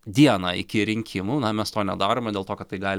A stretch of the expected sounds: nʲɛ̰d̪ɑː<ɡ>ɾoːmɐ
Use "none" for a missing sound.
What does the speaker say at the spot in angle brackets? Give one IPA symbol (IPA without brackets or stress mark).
none